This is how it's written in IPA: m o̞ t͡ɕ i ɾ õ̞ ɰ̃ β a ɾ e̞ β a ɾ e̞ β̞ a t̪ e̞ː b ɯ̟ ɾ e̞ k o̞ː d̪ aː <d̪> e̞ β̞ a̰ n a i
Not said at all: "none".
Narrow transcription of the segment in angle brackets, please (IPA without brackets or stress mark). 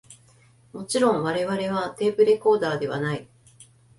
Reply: d̪